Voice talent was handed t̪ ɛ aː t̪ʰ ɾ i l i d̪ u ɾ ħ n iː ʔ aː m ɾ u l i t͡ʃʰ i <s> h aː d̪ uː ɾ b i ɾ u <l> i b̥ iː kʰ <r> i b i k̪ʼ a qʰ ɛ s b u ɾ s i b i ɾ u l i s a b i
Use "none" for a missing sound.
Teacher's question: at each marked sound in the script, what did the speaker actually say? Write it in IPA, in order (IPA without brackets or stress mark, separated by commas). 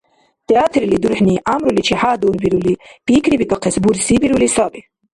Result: none, l, ɾ